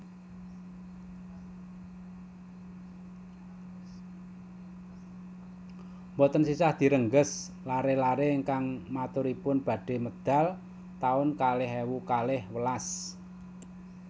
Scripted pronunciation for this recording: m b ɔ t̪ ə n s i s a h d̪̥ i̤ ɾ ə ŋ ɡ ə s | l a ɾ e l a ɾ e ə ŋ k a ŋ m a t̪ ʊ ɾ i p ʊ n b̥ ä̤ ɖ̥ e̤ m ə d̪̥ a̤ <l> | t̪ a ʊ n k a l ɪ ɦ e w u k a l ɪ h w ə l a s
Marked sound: correct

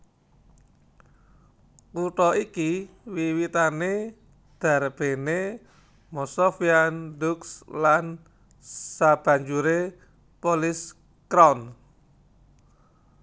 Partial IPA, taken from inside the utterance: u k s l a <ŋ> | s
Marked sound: incorrect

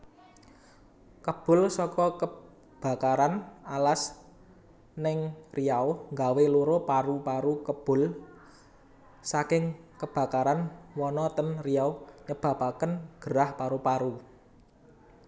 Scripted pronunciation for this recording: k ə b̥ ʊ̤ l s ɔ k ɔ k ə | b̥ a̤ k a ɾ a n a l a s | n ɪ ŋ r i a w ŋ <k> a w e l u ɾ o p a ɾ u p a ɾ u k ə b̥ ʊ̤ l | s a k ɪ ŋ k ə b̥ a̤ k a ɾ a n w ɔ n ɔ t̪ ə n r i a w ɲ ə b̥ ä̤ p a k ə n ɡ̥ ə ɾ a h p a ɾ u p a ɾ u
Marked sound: incorrect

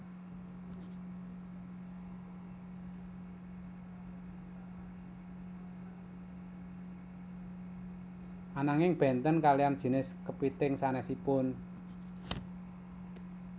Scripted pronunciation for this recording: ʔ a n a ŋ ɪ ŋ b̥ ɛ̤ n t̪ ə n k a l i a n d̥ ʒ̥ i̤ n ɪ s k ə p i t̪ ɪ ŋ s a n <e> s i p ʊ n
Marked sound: incorrect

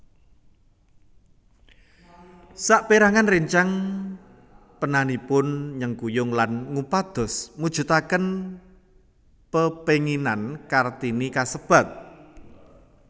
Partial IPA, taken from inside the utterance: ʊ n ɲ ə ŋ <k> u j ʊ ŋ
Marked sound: correct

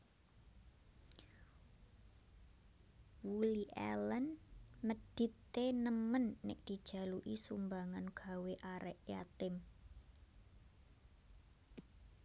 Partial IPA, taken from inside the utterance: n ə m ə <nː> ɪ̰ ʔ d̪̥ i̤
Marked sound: correct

